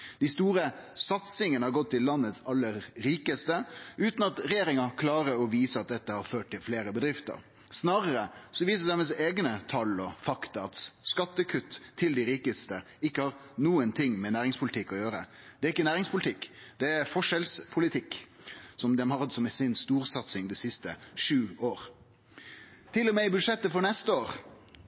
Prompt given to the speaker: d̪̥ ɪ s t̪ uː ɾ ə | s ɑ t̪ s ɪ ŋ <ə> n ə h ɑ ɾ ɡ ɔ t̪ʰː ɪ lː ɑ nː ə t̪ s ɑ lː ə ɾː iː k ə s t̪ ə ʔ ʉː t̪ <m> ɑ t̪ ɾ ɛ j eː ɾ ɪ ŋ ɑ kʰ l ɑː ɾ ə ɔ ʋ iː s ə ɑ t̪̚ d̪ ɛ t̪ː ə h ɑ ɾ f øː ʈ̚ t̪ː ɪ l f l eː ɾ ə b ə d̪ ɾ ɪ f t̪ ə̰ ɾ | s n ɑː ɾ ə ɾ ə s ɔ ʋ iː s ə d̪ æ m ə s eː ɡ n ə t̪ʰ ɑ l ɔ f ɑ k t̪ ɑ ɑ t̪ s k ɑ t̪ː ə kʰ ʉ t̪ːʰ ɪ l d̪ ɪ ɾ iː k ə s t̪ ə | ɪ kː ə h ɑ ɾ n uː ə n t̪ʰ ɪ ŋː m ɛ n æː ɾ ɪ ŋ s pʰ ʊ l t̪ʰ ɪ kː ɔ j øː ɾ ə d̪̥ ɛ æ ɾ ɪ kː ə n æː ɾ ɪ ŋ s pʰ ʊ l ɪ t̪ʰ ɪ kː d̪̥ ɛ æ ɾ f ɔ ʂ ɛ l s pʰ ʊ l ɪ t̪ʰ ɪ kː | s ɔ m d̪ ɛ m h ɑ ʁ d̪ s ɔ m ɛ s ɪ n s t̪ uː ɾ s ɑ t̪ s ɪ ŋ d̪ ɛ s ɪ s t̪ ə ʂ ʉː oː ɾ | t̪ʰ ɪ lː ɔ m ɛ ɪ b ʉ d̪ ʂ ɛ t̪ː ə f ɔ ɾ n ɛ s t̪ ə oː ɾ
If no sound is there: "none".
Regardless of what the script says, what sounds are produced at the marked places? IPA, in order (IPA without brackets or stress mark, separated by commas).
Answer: ə, n